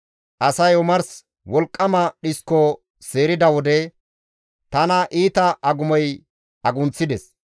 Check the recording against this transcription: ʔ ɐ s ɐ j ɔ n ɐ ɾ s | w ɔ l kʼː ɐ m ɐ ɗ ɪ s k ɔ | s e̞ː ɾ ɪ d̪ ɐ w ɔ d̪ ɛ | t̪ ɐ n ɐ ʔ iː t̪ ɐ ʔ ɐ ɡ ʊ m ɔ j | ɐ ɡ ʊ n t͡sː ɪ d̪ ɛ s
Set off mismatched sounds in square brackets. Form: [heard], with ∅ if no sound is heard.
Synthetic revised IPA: ʔ ɐ s ɐ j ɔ [m] ɐ ɾ s | w ɔ l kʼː ɐ m ɐ ɗ ɪ s k ɔ | s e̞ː ɾ ɪ d̪ ɐ w ɔ d̪ ɛ | t̪ ɐ n ɐ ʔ iː t̪ ɐ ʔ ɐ ɡ ʊ m ɔ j | ɐ ɡ ʊ n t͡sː ɪ d̪ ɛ s